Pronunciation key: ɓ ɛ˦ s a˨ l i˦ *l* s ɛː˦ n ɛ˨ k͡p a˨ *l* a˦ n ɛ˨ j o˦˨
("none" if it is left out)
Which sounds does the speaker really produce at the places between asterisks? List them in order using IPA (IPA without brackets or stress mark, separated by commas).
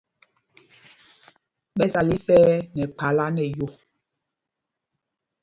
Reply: none, l